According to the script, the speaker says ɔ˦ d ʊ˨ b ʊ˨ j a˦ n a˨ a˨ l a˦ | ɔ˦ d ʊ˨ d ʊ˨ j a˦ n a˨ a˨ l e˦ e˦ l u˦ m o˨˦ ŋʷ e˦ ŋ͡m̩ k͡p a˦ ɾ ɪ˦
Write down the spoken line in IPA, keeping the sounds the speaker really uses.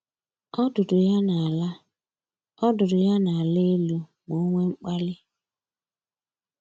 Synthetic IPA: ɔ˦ d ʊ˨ d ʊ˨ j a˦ n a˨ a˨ l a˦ | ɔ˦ d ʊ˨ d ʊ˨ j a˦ n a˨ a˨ l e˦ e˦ l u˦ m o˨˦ ŋʷ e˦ ŋ͡m̩ k͡p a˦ l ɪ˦